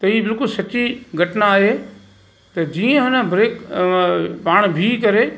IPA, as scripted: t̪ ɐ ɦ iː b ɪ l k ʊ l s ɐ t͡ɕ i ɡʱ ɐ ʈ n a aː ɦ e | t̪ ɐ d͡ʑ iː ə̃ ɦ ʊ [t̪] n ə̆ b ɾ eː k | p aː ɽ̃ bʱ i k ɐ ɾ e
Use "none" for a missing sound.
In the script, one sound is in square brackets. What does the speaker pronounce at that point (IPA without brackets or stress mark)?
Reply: none